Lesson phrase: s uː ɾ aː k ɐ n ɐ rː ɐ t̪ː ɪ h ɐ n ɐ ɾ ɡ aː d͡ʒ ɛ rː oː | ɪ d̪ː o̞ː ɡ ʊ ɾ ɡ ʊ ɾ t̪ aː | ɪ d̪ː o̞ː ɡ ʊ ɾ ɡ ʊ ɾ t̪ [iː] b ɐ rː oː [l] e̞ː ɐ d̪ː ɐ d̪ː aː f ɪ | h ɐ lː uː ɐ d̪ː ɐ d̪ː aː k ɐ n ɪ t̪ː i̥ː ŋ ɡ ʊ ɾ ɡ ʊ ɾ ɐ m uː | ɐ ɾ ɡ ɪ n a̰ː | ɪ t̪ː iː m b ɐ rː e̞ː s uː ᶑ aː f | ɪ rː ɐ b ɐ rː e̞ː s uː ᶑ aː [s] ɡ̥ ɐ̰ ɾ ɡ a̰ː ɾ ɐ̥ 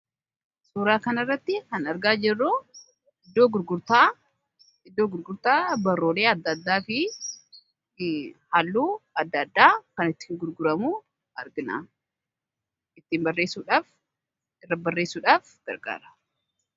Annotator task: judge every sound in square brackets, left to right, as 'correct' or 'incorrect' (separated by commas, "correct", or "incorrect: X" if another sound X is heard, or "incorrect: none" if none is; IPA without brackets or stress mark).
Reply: incorrect: aː, correct, incorrect: f